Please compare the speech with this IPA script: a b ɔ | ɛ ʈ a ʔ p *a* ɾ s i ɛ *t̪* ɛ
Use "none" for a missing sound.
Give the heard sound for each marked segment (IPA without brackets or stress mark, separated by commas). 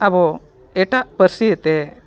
ə, t̪